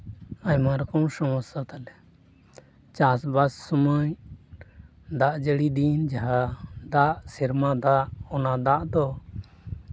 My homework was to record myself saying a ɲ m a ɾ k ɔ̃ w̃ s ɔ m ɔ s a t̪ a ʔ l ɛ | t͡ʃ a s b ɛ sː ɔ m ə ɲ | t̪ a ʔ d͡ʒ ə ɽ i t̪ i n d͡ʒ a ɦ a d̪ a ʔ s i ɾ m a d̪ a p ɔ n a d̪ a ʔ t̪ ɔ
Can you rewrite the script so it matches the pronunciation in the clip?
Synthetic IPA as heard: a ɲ m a ɾ k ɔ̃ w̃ s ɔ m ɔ s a t̪ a l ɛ | t͡ʃ a s b a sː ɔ m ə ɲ | d̪ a ʔ d͡ʒ ə ɽ i d̪ i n d͡ʒ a ɦ a d̪ a ʔ s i ɾ m a d̪ a ʔ ɔ n a d̪ a ʔ d̪ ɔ